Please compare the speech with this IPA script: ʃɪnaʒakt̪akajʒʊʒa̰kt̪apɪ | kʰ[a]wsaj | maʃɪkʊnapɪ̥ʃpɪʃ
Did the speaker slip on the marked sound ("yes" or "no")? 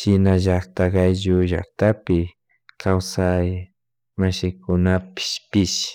no